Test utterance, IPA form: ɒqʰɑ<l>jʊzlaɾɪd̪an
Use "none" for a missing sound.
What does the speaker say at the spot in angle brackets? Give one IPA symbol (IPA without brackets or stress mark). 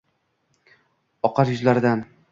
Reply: ɾ